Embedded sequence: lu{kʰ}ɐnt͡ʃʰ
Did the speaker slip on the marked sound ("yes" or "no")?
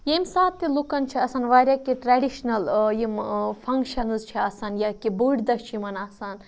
yes